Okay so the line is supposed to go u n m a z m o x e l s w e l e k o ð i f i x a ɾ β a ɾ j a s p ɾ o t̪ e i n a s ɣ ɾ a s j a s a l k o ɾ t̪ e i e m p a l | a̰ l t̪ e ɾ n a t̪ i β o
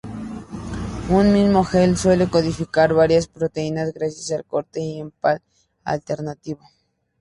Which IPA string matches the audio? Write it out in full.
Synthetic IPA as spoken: u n m i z m o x e l s w e l e k o ð i f i k a ɾ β a ɾ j a s p ɾ o t̪ e i n a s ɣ ɾ a s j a s a l k o ɾ t̪ e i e m p a l | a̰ l t̪ e ɾ n a t̪ i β o